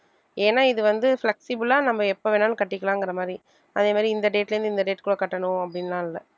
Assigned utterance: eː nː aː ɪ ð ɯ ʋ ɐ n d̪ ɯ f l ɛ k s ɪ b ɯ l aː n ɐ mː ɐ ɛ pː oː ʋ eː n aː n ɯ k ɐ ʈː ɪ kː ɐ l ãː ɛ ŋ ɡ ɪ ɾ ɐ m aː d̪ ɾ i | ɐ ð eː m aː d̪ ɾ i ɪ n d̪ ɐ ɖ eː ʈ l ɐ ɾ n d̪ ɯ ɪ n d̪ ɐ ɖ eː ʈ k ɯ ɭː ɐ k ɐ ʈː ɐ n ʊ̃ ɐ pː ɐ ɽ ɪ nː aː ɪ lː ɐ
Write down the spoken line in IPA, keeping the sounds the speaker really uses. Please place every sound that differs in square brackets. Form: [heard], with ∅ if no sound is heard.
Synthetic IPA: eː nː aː ɪ ð ɯ ʋ ɐ n d̪ ɯ f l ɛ k s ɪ b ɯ l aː n ɐ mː ɐ ɛ pː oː ʋ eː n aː n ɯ k ɐ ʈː ɪ kː ɐ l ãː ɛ ŋ ɡ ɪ ɾ ɐ m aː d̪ ɾ i | ɐ ð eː m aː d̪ ɾ i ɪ n d̪ ɐ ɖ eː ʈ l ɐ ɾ n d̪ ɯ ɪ n d̪ ɐ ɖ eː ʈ k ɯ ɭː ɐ k ɐ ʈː ɐ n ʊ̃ ɐ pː ɐ ɽ ɪ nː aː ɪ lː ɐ